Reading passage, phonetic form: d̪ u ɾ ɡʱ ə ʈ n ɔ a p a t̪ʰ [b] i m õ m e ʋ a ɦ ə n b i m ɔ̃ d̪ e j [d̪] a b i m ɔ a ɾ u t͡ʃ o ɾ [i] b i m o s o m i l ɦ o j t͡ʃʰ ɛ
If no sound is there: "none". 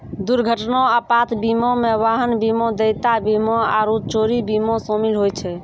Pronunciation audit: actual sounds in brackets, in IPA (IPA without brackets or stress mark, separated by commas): b, t̪, i